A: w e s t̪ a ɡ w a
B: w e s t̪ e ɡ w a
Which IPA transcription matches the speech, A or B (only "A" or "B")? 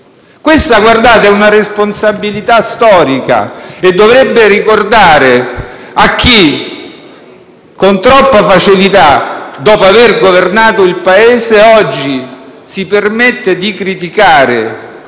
A